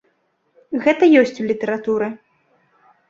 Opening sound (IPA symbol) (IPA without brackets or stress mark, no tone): ɣ